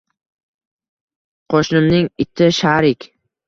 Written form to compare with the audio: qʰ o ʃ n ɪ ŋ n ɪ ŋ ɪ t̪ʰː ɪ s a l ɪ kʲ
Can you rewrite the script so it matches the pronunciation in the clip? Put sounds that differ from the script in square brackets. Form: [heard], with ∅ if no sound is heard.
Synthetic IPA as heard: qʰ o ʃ n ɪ [m] n ɪ ŋ ɪ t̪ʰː ɪ [ʃ] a [ɾ] ɪ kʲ